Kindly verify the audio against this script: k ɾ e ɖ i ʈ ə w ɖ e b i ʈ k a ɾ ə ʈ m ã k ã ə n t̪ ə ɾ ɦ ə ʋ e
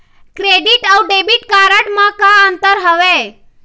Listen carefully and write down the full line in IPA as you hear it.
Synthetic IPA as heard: k ɾ e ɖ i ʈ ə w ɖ e b i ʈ k a ɾ ə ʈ m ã k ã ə n t̪ ə ɾ ɦ ə ʋ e